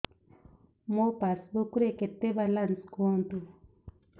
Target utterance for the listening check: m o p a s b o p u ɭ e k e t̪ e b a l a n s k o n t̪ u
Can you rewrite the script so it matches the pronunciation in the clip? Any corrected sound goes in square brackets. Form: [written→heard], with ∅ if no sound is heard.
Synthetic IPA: m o p a s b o [p→k] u [ɭ→ɾ] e k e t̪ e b a l a n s k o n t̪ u